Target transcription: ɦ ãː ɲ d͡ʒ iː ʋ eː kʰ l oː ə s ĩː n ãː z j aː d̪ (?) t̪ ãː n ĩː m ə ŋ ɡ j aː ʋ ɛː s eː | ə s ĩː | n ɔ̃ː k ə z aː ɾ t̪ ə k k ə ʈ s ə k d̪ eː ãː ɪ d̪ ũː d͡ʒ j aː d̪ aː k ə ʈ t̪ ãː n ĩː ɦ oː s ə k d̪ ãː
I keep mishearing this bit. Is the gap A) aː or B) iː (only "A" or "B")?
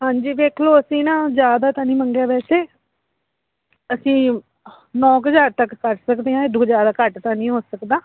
A